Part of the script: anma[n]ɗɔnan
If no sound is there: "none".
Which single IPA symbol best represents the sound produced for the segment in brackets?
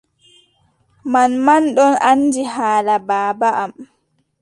n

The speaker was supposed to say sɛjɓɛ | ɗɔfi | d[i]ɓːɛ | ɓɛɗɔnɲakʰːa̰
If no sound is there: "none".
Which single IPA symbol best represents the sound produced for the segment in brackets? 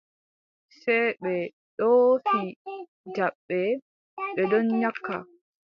a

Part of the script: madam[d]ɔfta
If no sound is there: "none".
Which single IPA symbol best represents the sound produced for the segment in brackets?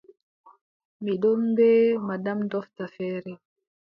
d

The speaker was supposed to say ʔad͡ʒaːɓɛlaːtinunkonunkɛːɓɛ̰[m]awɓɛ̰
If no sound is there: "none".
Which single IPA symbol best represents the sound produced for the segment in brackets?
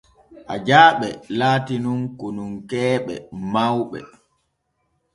m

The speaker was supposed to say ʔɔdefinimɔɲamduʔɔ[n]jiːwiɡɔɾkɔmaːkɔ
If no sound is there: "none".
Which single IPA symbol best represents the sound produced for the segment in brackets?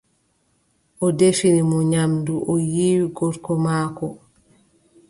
none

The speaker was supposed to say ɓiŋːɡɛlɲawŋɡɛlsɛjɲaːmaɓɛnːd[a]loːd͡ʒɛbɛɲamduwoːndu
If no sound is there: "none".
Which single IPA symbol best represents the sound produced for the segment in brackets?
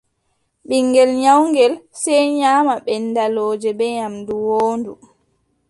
a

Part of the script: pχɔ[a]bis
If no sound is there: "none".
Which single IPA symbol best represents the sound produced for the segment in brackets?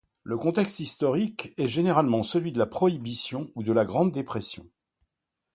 i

